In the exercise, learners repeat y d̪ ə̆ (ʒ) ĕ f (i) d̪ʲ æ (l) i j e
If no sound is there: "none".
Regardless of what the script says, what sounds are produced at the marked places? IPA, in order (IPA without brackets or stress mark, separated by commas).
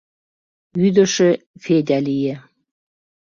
ʃ, e, l